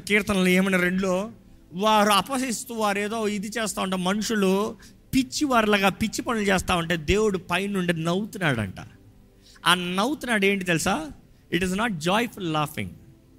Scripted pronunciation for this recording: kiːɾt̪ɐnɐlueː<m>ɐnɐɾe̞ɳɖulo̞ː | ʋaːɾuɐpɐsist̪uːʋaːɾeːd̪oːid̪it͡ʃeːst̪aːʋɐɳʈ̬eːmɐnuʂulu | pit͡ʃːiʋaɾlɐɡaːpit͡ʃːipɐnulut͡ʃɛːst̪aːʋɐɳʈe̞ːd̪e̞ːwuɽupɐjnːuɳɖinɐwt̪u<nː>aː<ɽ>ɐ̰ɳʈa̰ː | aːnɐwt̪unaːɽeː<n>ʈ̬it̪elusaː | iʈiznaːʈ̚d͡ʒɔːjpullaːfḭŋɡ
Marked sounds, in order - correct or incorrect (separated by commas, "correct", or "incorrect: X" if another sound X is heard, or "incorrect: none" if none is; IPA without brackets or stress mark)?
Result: correct, incorrect: n, correct, incorrect: ɳ